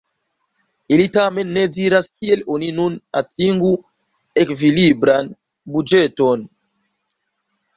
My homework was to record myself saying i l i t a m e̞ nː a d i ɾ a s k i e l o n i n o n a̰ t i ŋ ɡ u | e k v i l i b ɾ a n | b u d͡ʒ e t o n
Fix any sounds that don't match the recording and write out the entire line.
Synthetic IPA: i l i t a m e̞ nː e d i ɾ a s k i e l o n i n u n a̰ t i ŋ ɡ u | e k v i l i b ɾ a n | b u d͡ʒ e t o n